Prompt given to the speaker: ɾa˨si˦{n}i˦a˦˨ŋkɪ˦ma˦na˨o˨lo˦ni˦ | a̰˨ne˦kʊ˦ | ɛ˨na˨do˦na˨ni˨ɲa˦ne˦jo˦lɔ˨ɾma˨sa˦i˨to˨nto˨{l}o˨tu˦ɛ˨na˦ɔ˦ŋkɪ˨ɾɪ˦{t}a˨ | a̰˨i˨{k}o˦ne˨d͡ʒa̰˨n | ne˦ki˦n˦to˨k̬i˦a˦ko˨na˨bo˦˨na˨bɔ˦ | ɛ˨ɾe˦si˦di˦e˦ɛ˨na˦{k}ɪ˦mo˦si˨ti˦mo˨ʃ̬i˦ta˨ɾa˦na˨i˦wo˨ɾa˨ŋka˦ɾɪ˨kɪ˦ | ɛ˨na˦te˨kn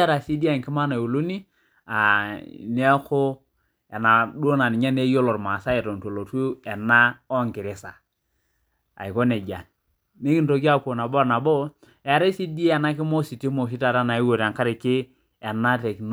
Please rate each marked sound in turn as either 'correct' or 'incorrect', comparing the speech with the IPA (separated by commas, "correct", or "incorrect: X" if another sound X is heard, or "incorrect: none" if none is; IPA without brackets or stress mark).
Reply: incorrect: d, correct, incorrect: s, correct, correct